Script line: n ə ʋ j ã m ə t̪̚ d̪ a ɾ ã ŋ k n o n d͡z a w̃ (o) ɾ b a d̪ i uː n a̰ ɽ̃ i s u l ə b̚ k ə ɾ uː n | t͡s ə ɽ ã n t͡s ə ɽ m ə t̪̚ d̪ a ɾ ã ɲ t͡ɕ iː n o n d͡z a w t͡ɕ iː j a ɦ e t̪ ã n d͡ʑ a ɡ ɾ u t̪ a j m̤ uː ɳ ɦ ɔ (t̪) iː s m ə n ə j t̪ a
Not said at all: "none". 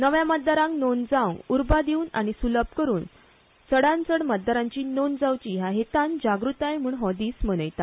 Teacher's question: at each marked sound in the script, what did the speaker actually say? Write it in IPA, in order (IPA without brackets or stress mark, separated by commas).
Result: u, d̪